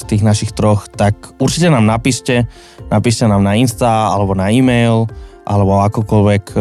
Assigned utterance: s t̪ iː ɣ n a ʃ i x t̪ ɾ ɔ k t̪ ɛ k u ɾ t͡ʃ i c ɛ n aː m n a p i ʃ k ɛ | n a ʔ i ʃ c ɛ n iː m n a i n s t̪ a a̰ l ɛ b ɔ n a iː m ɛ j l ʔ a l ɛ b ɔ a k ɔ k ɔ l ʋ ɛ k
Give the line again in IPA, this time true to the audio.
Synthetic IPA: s t̪ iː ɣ n a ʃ i x t̪ ɾ ɔ x t̪ a k u ɾ t͡ʃ i c ɛ n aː m n a p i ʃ c ɛ | n a p i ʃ c ɛ n aː m n a i n s t̪ a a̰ l ɛ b ɔ n a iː m ɛ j l ʔ a l ɛ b ɔ a k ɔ k ɔ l ʋ ɛ k